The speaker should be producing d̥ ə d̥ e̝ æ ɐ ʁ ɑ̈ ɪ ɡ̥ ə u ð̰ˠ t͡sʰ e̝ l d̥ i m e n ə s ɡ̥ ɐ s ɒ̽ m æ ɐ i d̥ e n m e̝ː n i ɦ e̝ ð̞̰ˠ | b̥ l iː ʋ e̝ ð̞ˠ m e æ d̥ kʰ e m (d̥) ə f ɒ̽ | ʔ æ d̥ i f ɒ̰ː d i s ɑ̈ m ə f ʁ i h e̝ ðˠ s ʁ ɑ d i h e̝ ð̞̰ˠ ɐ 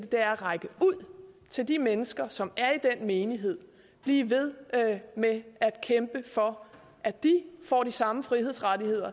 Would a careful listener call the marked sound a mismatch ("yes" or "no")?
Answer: yes